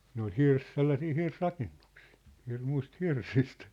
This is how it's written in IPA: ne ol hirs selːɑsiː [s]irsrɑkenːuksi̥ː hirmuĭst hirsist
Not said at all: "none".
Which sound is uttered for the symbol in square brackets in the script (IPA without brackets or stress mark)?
h